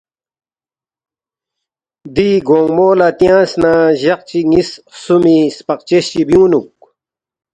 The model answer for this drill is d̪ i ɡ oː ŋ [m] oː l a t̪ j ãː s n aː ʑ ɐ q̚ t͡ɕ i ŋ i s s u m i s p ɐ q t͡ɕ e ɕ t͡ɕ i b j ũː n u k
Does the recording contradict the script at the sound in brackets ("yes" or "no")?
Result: no